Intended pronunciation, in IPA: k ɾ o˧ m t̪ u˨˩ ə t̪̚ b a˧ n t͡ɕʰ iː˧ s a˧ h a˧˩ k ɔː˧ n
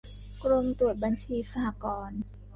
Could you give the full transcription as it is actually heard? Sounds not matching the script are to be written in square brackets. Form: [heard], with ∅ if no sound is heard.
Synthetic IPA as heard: k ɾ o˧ m t̪ u˨˩ ə t̪̚ b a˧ n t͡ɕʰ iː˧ s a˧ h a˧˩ k ɔː˧ n

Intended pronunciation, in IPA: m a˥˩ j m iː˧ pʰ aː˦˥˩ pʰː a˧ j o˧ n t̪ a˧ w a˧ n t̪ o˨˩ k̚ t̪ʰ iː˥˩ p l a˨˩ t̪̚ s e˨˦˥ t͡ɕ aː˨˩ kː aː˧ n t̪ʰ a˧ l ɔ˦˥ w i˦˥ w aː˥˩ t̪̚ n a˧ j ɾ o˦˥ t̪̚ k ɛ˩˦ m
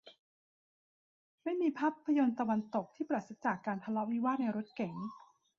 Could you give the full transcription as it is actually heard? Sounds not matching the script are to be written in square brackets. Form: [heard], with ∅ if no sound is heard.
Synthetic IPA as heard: m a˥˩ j m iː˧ pʰ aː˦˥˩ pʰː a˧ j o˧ n t̪ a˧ w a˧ n t̪ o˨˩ k̚ t̪ʰ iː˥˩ p [ɾ] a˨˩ t̪̚ s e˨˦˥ t͡ɕ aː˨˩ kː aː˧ n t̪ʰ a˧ l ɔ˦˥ w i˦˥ w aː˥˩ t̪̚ n a˧ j ɾ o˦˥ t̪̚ k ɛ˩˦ [ŋ]

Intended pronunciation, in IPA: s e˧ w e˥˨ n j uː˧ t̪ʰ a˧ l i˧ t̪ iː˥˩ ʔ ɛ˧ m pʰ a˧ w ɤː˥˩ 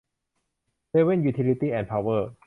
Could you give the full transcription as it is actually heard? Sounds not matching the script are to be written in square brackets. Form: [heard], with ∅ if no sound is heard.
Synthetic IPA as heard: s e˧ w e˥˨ n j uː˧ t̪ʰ [i˧] l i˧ t̪ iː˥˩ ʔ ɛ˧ [n] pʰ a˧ w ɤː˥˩

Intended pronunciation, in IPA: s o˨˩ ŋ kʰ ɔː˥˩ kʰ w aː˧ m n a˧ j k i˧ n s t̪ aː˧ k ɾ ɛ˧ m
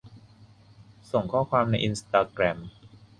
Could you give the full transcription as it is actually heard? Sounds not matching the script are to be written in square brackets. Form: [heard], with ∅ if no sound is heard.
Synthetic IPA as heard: s o˨˩ ŋ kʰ ɔː˥˩ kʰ w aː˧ m n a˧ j [ʔ] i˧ n s t̪ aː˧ k ɾ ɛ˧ m

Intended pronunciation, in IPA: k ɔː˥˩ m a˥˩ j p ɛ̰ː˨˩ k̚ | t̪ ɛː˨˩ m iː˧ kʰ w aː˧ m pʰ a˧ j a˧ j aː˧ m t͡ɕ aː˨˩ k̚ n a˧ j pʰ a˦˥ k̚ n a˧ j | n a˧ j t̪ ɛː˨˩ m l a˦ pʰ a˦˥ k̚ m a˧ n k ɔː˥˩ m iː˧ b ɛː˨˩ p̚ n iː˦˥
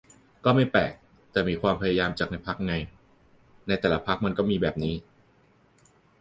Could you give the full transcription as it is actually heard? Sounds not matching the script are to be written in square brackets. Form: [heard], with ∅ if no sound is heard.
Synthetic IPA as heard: k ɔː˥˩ m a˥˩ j p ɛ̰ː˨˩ k̚ | t̪ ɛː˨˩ m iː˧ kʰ w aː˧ m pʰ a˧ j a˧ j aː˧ m t͡ɕ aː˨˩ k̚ n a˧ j pʰ a˦˥ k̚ [ŋ] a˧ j | n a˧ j t̪ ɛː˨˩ [∅] l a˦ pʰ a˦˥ k̚ m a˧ n k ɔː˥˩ m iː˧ b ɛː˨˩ p̚ n iː˦˥

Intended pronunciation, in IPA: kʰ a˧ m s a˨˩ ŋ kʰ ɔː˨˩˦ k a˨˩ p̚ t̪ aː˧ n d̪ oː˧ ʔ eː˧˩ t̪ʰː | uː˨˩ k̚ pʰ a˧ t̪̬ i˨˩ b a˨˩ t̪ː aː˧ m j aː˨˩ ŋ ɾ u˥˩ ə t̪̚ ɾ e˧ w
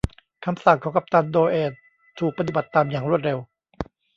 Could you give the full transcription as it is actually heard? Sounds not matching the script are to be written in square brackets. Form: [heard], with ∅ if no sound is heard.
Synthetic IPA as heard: kʰ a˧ m s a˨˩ ŋ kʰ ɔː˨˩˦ k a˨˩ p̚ t̪ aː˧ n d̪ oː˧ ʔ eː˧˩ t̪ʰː | uː˨˩ k̚ [p] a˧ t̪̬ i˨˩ b a˨˩ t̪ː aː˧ m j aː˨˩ ŋ ɾ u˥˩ ə t̪̚ ɾ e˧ w

